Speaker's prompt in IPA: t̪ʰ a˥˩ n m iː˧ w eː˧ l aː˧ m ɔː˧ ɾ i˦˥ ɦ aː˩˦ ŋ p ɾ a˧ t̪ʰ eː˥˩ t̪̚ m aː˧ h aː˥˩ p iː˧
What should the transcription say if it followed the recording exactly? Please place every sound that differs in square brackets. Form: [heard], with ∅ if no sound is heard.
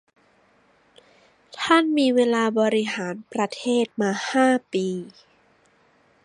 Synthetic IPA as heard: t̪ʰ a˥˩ n m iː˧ w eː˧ l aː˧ [b] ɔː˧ ɾ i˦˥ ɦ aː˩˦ [n] p ɾ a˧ t̪ʰ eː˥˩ t̪̚ m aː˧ h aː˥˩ p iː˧